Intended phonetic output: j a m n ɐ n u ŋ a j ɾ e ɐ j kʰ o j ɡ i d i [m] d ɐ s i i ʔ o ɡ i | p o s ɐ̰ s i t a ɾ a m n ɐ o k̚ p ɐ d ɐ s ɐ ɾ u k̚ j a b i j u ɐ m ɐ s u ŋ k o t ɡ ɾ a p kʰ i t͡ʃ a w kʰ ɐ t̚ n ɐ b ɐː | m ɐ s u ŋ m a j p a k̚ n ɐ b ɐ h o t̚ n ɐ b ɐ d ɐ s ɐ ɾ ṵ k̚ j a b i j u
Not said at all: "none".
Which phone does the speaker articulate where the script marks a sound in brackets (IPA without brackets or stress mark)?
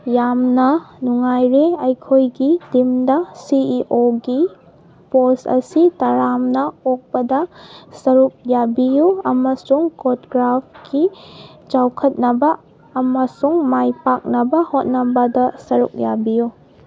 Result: m